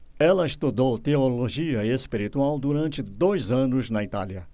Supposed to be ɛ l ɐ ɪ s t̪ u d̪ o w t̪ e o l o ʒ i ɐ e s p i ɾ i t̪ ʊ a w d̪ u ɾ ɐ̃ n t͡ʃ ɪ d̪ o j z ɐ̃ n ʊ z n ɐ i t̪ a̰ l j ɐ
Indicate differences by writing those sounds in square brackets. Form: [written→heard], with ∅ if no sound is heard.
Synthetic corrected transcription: ɛ l ɐ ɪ s t̪ u d̪ o w t̪ e o l o ʒ i ɐ e s p i ɾ i t̪ [ʊ→u] a w d̪ u ɾ ɐ̃ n t͡ʃ ɪ d̪ o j z ɐ̃ n ʊ z n ɐ i t̪ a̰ l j ɐ

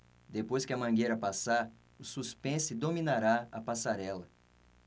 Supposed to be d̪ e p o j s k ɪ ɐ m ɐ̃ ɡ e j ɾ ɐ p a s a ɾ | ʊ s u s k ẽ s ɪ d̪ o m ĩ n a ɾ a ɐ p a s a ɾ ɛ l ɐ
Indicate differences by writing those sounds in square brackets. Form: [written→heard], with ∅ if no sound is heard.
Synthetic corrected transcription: d̪ e p o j s k ɪ ɐ m ɐ̃ ɡ e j ɾ ɐ p a s a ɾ | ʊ s u s [k→p] ẽ s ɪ d̪ o m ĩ n a ɾ a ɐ p a s a ɾ ɛ l ɐ

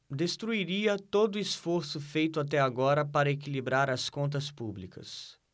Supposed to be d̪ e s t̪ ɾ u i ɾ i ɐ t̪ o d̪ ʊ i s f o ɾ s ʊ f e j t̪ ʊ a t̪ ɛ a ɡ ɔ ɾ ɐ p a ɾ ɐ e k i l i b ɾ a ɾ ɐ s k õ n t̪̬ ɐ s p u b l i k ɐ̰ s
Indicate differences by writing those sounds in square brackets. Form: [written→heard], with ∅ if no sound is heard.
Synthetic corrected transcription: d̪ e s t̪ ɾ u i ɾ i ɐ t̪ o d̪ ʊ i s f o ɾ s ʊ f e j t̪ ʊ a t̪ ɛ a ɡ ɔ ɾ ɐ p a ɾ ɐ e k i l i b ɾ a ɾ ɐ s k õ n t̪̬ ɐ s p u b l i k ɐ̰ s

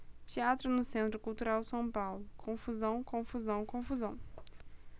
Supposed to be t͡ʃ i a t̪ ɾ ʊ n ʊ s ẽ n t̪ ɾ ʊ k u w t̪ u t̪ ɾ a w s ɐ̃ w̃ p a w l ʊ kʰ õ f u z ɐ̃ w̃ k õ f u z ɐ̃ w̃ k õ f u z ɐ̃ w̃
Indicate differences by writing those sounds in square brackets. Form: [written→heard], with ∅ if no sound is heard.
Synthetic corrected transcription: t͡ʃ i a t̪ ɾ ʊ n ʊ s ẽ n t̪ ɾ ʊ k u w t̪ u [t̪→∅] ɾ a w s ɐ̃ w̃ p a w l ʊ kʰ õ f u z ɐ̃ w̃ k õ f u z ɐ̃ w̃ k õ f u z ɐ̃ w̃

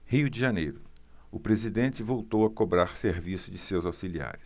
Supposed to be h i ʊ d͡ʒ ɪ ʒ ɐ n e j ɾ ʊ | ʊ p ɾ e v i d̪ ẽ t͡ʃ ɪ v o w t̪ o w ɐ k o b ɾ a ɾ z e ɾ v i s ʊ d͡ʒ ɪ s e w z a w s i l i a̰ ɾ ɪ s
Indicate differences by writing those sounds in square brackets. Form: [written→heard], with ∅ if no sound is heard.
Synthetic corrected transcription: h i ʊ d͡ʒ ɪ ʒ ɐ n e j ɾ ʊ | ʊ p ɾ e [v→z] i d̪ ẽ t͡ʃ ɪ v o w t̪ o w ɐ k o b ɾ a ɾ [z→s] e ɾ v i s ʊ d͡ʒ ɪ s e w z a w s i l i a̰ ɾ ɪ s

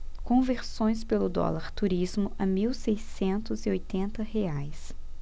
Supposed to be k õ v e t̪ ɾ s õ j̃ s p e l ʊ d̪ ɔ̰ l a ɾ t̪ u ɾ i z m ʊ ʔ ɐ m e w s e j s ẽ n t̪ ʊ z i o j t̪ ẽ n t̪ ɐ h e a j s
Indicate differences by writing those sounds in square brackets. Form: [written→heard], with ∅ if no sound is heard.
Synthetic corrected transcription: k õ v e [t̪→∅] ɾ s õ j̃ s p e l ʊ d̪ ɔ̰ l a ɾ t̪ u ɾ i z m ʊ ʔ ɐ m [e→i] w s e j s ẽ n t̪ ʊ z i o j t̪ ẽ n t̪ ɐ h e a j s

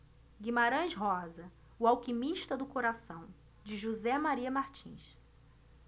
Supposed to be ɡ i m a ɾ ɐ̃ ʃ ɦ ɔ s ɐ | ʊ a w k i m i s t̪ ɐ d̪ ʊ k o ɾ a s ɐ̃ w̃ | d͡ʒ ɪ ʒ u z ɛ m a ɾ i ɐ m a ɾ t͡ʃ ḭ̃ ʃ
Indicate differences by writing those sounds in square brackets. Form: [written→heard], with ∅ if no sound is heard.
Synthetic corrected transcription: ɡ i m a ɾ ɐ̃ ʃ ɦ ɔ [s→z] ɐ | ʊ a w k i m i [s→ʃ] t̪ ɐ d̪ ʊ k o ɾ a s ɐ̃ w̃ | d͡ʒ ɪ ʒ u z ɛ m a ɾ i ɐ m a ɾ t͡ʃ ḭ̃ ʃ

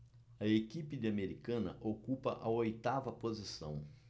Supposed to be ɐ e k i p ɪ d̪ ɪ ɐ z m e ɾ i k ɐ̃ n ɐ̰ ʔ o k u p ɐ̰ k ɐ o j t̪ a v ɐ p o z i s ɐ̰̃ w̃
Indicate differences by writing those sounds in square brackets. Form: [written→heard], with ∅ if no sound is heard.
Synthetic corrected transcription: ɐ e k i p ɪ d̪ ɪ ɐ [z→∅] m e ɾ i k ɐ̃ n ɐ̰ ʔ o k u p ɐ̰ [k→ʔ] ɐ o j t̪ a v ɐ p o z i s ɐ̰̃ w̃

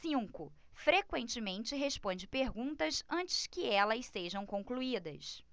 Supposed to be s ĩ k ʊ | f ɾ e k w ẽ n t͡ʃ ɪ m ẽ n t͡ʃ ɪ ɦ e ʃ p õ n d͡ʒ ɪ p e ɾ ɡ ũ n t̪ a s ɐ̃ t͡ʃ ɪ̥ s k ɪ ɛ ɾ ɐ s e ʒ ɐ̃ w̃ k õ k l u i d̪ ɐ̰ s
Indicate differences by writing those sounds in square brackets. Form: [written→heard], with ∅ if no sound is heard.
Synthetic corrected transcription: s ĩ k ʊ | f ɾ e k w ẽ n t͡ʃ ɪ m ẽ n t͡ʃ ɪ ɦ e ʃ p õ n d͡ʒ ɪ p e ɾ ɡ ũ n t̪ [a→ɐ] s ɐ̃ t͡ʃ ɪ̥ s k ɪ ɛ [ɾ→l] ɐ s e ʒ ɐ̃ w̃ k õ k l u i d̪ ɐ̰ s

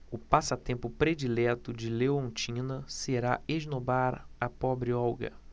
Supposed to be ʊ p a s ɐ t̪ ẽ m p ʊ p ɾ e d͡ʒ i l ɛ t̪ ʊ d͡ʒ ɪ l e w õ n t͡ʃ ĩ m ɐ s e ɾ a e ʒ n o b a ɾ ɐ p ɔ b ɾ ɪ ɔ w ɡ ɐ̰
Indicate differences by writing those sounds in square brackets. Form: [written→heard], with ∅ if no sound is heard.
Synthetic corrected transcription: ʊ p a s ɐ t̪ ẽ m p ʊ p ɾ e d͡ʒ i l ɛ t̪ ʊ d͡ʒ ɪ l e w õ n t͡ʃ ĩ [m→n] ɐ s e ɾ a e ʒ n o b a ɾ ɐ p ɔ b ɾ ɪ ɔ w ɡ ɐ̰

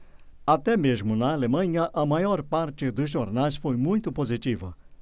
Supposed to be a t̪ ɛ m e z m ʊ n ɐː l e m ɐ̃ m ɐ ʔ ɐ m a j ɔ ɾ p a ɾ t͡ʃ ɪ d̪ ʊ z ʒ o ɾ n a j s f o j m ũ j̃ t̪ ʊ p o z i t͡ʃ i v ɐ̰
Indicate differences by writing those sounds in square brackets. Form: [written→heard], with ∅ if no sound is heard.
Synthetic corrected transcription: a t̪ ɛ m e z m ʊ n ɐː l e m ɐ̃ [m→ɲ] ɐ ʔ ɐ m a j ɔ ɾ p a ɾ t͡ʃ ɪ d̪ ʊ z ʒ o ɾ n a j s f o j m ũ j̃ t̪ ʊ p o z i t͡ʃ i v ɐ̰

